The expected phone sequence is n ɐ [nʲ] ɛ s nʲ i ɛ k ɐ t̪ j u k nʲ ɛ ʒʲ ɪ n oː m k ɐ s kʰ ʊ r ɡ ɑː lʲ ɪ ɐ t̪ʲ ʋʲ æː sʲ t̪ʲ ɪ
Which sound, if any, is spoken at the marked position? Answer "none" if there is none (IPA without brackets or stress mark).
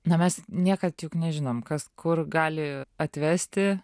mʲ